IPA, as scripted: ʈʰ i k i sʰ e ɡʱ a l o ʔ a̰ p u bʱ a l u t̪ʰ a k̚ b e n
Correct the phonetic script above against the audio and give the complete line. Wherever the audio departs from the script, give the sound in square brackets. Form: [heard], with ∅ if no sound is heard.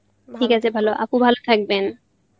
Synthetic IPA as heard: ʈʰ i k [a] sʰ e [bʱ] a l o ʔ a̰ p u bʱ a l [o] t̪ʰ a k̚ b e n

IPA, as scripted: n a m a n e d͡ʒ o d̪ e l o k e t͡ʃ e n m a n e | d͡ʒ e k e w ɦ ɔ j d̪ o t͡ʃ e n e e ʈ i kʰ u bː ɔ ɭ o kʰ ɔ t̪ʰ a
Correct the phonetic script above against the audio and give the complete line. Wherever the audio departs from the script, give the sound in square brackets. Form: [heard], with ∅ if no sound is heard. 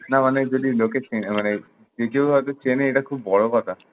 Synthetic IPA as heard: n a m a n e d͡ʒ o d̪ [i] l o k e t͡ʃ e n m a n e | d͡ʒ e k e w ɦ ɔ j [t̪] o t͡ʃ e n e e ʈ [a] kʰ u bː ɔ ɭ o [k] ɔ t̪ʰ a

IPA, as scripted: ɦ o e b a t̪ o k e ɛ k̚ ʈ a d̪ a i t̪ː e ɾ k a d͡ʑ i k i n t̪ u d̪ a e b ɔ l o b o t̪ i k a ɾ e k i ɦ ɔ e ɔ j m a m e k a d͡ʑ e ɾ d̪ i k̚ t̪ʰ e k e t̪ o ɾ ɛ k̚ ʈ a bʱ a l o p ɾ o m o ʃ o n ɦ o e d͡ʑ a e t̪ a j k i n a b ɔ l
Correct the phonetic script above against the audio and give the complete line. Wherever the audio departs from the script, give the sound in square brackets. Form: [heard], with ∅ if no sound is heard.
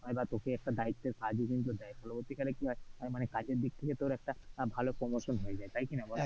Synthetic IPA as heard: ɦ [ɔ] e b a t̪ o k e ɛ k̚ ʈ a d̪ a i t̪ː e ɾ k a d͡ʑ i k i n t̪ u d̪ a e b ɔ l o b o t̪ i k a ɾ e k i ɦ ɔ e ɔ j m a [n] e k a d͡ʑ e ɾ d̪ i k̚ t̪ʰ e k e t̪ o ɾ ɛ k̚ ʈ a bʱ a l o p ɾ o m o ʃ o n ɦ o e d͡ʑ a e t̪ a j k i n a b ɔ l

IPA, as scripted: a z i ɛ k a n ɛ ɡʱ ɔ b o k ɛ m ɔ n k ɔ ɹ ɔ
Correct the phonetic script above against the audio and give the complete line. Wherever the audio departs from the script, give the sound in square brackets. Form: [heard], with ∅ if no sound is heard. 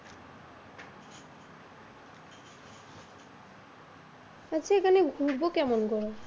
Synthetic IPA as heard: a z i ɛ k a n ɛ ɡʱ [u] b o k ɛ m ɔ n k ɔ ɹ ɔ

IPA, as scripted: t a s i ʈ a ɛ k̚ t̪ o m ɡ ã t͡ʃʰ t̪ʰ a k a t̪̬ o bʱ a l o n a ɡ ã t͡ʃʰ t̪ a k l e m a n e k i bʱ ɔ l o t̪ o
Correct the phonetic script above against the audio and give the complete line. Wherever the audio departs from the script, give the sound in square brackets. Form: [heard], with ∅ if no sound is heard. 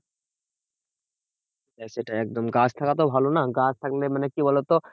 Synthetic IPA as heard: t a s [e] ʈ a ɛ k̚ [d̪] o m ɡ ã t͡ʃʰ t̪ʰ a k a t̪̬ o bʱ a l o n a ɡ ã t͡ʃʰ [t̪ʰ] a k l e m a n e k i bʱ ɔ l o t̪ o

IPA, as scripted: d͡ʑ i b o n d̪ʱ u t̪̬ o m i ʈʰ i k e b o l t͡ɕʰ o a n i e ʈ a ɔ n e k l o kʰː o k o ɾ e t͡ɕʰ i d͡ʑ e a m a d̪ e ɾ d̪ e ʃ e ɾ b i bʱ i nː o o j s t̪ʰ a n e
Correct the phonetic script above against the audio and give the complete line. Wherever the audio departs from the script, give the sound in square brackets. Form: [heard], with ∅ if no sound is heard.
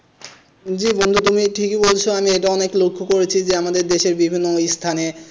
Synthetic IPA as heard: d͡ʑ i b o n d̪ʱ u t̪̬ [u] m i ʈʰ i k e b o l t͡ɕʰ o a [m] i e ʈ a ɔ n e k l o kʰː o k o ɾ e t͡ɕʰ i d͡ʑ e a m a d̪ e ɾ d̪ e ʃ e ɾ b i bʱ i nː o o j s t̪ʰ a n e

